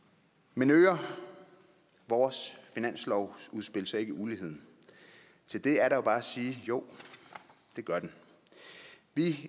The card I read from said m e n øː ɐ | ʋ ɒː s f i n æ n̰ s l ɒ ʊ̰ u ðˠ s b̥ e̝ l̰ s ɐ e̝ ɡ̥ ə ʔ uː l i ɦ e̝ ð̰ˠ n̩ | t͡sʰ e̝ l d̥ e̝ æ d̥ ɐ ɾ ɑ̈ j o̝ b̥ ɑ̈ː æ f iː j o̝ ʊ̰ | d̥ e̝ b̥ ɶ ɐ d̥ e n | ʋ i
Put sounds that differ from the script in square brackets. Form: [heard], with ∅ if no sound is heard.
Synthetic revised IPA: m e n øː ɐ | ʋ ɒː s f i n æ n̰ s l ɒ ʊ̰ u ðˠ s b̥ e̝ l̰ s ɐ e̝ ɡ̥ ə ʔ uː l i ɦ e̝ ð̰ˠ n̩ | t͡sʰ e̝ l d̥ e̝ æ [∅] ɐ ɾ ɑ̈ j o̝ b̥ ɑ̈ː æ [s] iː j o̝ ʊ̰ | d̥ e̝ [ɡ̥] ɶ ɐ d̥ e n | ʋ i

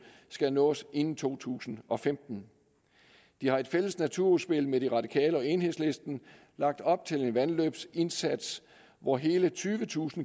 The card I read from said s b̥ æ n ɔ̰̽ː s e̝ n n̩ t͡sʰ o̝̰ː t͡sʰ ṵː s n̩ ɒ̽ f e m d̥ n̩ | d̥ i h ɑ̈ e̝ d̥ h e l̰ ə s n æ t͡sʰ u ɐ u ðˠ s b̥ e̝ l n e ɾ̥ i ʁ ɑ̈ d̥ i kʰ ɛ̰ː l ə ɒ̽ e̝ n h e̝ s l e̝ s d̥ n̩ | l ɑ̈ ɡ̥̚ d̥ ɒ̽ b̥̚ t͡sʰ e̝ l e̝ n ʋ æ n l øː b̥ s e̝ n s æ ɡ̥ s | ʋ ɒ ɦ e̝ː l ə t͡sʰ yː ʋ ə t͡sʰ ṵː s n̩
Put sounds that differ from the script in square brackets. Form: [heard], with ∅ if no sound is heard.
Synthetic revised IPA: s [ɡ̥] æ n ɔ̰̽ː s e̝ n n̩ t͡sʰ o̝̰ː t͡sʰ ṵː s n̩ ɒ̽ f e m d̥ n̩ | d̥ i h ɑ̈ e̝ d̥ [f] e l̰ ə s n æ t͡sʰ u ɐ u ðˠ s b̥ e̝ l [m] e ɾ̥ i ʁ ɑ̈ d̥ i kʰ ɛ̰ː l ə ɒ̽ e̝ n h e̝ s l e̝ s d̥ n̩ | l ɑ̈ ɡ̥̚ d̥ ɒ̽ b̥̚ t͡sʰ e̝ l e̝ n ʋ æ n l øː b̥ s e̝ n s æ [d̥] s | ʋ ɒ ɦ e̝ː l ə t͡sʰ yː ʋ ə t͡sʰ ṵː s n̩

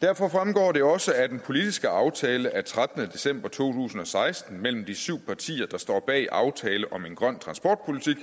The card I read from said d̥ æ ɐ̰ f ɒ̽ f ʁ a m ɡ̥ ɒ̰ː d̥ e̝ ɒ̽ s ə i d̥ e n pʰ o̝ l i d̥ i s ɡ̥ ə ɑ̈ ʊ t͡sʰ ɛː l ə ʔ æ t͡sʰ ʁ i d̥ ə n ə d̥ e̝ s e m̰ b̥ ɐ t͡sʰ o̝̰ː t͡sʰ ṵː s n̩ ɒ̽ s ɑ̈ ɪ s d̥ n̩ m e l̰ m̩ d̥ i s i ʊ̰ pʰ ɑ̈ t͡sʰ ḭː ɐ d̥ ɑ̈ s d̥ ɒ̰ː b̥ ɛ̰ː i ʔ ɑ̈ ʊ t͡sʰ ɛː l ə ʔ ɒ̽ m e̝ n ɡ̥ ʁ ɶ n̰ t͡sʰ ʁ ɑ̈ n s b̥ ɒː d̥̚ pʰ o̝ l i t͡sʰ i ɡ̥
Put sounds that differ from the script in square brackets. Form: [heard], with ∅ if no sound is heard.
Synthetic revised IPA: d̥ æ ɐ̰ f ɒ̽ f ʁ a m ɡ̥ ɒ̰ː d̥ e̝ ɒ̽ s ə [æ] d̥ e n pʰ o̝ l i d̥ i s ɡ̥ ə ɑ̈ ʊ t͡sʰ ɛː l ə ʔ æ t͡sʰ ʁ [a] d̥ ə n ə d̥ e̝ s e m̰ b̥ ɐ t͡sʰ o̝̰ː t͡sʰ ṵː s n̩ ɒ̽ s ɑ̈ ɪ s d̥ n̩ m e l̰ m̩ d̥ i s [y] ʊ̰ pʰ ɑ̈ t͡sʰ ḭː ɐ d̥ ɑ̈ s d̥ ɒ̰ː b̥ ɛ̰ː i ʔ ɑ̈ ʊ t͡sʰ ɛː l ə ʔ ɒ̽ m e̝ n ɡ̥ ʁ ɶ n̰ t͡sʰ ʁ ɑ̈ n s b̥ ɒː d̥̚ pʰ o̝ l i t͡sʰ i ɡ̥

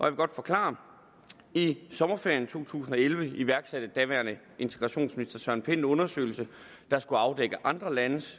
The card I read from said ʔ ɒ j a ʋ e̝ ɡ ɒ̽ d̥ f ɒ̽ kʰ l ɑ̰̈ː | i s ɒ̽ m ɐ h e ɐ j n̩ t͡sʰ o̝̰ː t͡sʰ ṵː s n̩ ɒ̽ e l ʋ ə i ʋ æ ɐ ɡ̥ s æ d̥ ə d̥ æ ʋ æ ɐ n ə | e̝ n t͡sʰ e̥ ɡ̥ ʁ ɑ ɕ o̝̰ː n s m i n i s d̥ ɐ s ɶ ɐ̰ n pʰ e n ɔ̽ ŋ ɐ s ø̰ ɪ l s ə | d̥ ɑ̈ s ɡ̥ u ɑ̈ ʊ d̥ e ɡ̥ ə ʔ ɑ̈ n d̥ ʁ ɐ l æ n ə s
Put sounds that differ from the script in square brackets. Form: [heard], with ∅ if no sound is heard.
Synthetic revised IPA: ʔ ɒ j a ʋ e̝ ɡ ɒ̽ d̥ f ɒ̽ kʰ l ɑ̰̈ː | i s ɒ̽ m ɐ [f] e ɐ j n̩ t͡sʰ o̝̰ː t͡sʰ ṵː s n̩ ɒ̽ e l ʋ ə i ʋ æ ɐ ɡ̥ s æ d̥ ə d̥ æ ʋ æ ɐ n ə | e̝ n t͡sʰ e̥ ɡ̥ ʁ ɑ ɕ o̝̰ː n s m i n i s d̥ ɐ s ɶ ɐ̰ n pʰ e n ɔ̽ [n] ɐ s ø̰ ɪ l s ə | d̥ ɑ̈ s ɡ̥ u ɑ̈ ʊ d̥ e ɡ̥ ə ʔ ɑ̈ n d̥ ʁ ɐ l æ n ə s

